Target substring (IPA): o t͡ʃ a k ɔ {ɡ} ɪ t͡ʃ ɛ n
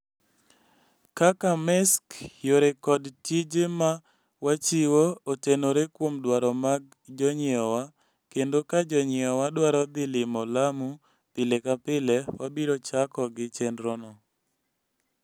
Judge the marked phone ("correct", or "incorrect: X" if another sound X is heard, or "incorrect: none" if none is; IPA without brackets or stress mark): correct